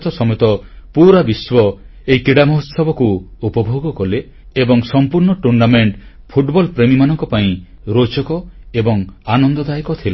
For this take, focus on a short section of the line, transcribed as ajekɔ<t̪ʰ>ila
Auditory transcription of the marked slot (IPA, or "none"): t̪ʰ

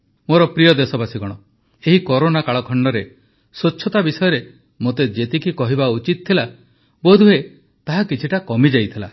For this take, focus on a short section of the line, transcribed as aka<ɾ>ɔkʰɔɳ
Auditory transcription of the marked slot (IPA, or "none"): ɭ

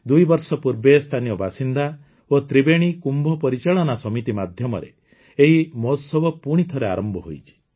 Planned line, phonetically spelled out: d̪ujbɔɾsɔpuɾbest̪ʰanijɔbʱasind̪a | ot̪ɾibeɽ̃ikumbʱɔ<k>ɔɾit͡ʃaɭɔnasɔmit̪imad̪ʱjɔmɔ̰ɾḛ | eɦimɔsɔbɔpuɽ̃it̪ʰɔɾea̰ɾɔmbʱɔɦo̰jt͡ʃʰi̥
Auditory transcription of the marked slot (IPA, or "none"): p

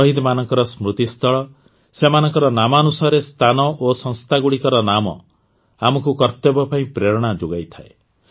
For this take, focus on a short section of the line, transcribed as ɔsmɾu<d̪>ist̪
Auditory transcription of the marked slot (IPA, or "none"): t̪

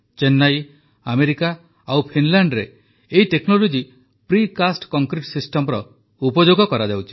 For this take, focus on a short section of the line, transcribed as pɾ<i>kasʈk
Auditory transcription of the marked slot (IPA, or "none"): i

